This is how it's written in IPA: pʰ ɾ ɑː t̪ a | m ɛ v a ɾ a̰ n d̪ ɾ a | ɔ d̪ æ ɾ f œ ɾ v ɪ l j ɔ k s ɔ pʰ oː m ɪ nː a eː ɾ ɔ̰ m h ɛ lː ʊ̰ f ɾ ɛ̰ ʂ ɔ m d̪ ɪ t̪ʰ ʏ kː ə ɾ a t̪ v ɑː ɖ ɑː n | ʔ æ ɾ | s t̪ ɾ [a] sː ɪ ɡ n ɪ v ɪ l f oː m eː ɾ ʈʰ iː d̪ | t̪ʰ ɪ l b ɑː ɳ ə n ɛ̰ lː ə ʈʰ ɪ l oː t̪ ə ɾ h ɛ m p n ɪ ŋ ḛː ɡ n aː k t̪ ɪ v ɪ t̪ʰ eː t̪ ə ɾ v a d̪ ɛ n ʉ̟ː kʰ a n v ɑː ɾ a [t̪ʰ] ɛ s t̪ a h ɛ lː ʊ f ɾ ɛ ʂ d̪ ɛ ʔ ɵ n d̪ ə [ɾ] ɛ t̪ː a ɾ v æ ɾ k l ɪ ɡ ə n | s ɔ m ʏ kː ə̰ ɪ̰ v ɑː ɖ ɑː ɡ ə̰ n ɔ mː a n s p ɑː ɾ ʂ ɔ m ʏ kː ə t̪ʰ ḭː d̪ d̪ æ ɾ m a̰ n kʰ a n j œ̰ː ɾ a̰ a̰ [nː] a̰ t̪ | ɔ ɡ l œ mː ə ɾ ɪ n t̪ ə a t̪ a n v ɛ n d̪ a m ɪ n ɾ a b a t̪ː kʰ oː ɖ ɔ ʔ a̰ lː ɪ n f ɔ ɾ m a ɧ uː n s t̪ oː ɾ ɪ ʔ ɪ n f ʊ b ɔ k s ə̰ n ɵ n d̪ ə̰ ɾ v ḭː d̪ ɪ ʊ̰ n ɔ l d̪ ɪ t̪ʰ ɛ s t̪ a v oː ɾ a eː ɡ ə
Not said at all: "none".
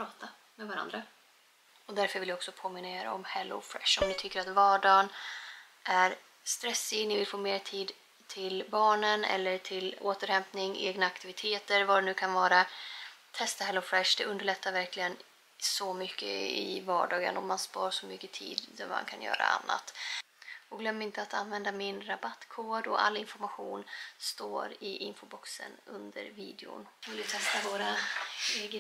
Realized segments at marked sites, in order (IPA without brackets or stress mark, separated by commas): ɛ, t̪ʰ, ɭ, nː